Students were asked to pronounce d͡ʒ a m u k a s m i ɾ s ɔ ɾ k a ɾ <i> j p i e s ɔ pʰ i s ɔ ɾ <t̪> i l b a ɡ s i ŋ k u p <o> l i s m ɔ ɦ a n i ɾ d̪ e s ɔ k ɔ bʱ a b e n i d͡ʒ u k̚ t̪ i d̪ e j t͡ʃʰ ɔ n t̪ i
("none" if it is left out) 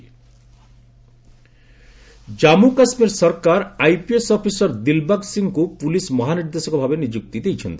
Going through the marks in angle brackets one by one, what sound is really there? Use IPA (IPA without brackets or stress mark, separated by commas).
a, d̪, u